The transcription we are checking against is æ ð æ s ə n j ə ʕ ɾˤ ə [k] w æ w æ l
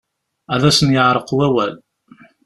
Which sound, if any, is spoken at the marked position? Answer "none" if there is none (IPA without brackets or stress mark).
q